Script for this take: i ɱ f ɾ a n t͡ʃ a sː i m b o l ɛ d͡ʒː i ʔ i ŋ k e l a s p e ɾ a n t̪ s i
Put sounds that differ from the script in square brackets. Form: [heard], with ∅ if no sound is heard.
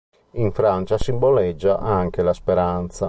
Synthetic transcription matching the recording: i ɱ f ɾ a n t͡ʃ a [s] i m b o l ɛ d͡ʒː [a] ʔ [a] ŋ k e l a s p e ɾ a n t̪ s [a]